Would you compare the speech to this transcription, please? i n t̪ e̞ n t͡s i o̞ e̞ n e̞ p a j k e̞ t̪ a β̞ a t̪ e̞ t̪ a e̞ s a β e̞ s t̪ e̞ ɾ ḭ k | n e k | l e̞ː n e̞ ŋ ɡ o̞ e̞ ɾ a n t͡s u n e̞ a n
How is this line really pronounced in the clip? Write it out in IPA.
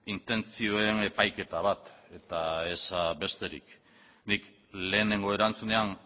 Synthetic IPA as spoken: i n t̪ e̞ n t͡s i o̞ e̞ n e̞ p a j k e̞ t̪ a β̞ a t̪ e̞ t̪ a e̞ s a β e̞ s t̪ e̞ ɾ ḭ k | n i k | l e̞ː n e̞ ŋ ɡ o̞ e̞ ɾ a n t͡s u n e̞ a n

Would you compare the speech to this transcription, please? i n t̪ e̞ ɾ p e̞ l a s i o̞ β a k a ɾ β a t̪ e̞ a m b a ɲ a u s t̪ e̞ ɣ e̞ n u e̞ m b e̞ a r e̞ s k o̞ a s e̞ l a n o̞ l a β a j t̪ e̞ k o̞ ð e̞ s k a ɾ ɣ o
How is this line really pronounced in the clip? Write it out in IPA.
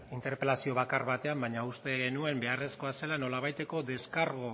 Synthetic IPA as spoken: i n t̪ e̞ ɾ p e̞ l a s i o̞ β a k a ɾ β a t̪ e̞ a m b a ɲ a u s t̪ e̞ ɣ e̞ n u e̞ m b e̞ a r e̞ s k o̞ a s e̞ l a n o̞ l a β a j t̪ e̞ k o̞ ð e̞ s k a ɾ ɣ o

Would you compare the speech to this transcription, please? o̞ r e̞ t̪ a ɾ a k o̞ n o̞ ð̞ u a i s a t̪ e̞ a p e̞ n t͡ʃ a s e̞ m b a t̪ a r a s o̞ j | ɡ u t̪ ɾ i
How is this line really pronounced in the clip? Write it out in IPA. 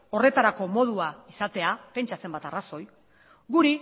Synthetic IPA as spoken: o̞ r e̞ t̪ a ɾ a k o̞ m o̞ ð̞ u a i s a t̪ e̞ a p e̞ n t͡ʃ a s e̞ m b a t̪ a r a s o̞ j | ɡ u ɾ i

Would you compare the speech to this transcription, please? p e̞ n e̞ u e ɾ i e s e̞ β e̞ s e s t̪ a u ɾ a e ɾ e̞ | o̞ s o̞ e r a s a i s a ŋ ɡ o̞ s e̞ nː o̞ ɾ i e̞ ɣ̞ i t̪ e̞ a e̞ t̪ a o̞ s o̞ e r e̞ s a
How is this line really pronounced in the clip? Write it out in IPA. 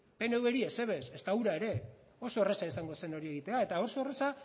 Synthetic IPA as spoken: p e̞ n e̞ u e ɾ i e s e̞ β e̞ s e s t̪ a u ɾ a e ɾ e̞ | o̞ s o̞ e r e s a i s a ŋ ɡ o̞ s e̞ n o̞ ɾ i e̞ ɣ̞ i t̪ e̞ a e̞ t̪ a o̞ s o̞ e r e̞ s a

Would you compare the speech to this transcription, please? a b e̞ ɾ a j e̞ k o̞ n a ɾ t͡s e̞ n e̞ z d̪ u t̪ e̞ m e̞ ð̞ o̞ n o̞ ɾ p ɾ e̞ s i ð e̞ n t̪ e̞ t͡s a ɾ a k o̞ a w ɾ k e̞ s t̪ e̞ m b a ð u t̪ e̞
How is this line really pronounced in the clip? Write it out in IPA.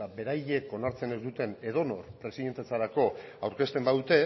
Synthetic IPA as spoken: a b e̞ ɾ a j e̞ k o̞ n a ɾ t͡s e̞ n e̞ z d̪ u t̪ e̞ n e̞ ð̞ o̞ n o̞ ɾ p ɾ e̞ s i ð e̞ n t̪ e̞ t͡s a ɾ a k o̞ a w ɾ k e̞ s t̪ e̞ m b a ð u t̪ e̞

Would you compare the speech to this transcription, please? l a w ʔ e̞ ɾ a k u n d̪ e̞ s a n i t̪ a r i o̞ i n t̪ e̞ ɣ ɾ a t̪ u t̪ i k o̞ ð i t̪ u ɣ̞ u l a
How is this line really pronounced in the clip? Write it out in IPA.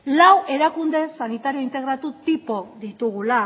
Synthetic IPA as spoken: l a w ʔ e̞ ɾ a k u n d̪ e̞ s a n i t̪ a ɾ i o̞ i n t̪ e̞ ɣ ɾ a t̪ u t̪ i p o̞ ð i t̪ u ɣ̞ u l a

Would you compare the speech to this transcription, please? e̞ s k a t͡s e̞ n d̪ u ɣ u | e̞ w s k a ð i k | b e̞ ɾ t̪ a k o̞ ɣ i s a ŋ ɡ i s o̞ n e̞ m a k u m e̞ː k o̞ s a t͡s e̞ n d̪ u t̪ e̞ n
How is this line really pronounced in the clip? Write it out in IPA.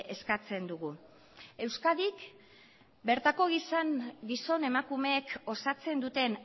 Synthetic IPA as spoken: e̞ s k a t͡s e̞ n d̪ u ɣ u | e̞ w s k a ð i k | b e̞ ɾ t̪ a k o̞ ɣ i s a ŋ ɡ i s o̞ n e̞ m a k u m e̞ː k o̞ s a t͡s e̞ n d̪ u t̪ e̞ n

